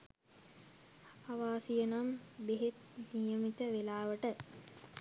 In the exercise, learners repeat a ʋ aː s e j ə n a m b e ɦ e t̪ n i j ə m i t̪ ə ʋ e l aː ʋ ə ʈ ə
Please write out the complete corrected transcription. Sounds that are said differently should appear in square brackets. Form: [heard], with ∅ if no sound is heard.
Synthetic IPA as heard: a ʋ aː s [i] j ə n a m b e ɦ e t̪ n i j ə m i t̪ ə ʋ e l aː ʋ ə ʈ ə